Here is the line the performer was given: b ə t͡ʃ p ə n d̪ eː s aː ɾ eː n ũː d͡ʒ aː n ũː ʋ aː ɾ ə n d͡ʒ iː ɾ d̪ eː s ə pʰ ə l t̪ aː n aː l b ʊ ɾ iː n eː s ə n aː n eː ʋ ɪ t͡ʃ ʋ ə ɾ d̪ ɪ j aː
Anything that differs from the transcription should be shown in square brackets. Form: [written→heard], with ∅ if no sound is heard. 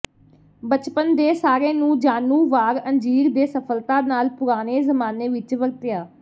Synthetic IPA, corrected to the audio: b ə t͡ʃ p ə n d̪ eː s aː ɾ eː n ũː d͡ʒ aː n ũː ʋ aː ɾ ə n d͡ʒ iː ɾ d̪ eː s ə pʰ ə l t̪ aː n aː l [b→p] ʊ ɾ [iː→aː] n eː [s→z] ə [n→m] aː n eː ʋ ɪ t͡ʃ ʋ ə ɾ [d̪→t̪] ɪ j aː